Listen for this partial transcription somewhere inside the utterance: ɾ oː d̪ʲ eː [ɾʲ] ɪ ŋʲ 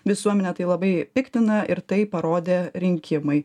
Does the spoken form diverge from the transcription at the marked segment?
no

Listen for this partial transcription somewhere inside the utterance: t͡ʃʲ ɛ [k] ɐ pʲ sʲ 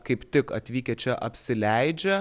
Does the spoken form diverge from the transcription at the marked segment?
yes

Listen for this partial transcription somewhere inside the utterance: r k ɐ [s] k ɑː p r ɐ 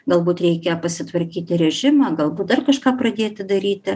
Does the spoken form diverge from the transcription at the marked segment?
yes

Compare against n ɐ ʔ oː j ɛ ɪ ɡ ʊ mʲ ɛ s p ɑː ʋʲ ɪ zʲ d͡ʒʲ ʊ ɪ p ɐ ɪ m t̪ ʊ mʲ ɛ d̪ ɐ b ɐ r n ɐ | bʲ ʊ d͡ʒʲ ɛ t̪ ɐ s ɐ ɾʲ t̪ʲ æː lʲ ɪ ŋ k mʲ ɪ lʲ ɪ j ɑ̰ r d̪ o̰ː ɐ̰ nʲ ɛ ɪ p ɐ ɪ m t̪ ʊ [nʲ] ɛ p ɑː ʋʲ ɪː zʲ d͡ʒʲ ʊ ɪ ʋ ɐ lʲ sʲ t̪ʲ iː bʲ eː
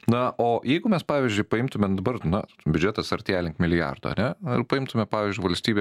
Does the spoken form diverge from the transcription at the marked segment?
yes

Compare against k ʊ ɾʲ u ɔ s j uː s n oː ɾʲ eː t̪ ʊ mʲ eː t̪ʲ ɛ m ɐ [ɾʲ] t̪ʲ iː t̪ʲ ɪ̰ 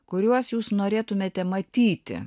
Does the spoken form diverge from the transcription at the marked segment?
yes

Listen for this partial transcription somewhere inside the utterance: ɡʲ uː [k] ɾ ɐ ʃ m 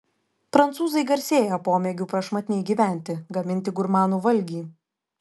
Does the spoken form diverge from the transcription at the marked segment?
yes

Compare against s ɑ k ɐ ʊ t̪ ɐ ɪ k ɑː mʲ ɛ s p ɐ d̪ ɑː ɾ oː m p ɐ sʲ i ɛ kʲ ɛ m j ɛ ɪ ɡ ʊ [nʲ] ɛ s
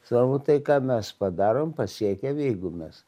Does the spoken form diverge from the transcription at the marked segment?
yes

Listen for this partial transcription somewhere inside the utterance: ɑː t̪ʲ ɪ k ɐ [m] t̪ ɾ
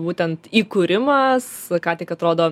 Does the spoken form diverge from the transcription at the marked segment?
yes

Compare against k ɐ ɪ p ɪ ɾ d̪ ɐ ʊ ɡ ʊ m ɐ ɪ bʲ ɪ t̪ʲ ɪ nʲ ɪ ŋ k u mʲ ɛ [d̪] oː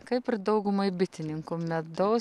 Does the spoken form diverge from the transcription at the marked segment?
no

